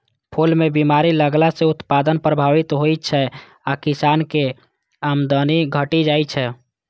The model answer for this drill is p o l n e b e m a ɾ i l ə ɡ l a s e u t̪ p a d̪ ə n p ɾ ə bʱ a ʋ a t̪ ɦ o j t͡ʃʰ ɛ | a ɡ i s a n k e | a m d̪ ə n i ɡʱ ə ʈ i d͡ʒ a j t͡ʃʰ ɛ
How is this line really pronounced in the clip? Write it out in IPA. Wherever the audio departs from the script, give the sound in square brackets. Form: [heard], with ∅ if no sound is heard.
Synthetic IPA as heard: [pʰ] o l [m] e b [i] m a ɾ i l ə ɡ l a s e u t̪ p a d̪ ə n p ɾ ə bʱ a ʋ [i] t̪ ɦ o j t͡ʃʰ ɛ | a [k] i s a n k e | a m d̪ ə n i ɡʱ ə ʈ i d͡ʒ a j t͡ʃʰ ɛ